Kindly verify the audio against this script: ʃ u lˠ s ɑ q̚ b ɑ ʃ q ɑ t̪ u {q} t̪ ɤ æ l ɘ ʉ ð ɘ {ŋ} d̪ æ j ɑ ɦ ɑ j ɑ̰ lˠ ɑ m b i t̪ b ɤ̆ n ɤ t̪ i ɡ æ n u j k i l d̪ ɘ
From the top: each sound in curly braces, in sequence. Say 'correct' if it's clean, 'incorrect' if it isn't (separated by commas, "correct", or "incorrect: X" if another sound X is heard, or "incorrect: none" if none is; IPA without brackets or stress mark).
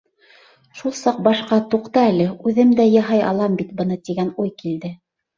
correct, incorrect: m